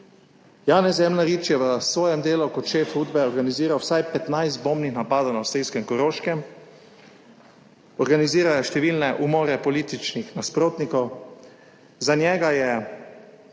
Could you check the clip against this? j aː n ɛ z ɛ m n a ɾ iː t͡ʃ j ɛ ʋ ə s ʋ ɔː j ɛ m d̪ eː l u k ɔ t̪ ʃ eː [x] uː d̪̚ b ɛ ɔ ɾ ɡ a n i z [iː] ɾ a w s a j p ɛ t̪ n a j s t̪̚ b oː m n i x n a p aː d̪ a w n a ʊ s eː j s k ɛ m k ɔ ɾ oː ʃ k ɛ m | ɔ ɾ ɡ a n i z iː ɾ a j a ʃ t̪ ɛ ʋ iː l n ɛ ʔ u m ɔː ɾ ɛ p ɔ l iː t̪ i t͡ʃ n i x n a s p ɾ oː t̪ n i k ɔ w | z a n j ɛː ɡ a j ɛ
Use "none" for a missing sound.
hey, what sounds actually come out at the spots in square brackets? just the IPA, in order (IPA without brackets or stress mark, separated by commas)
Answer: f, iː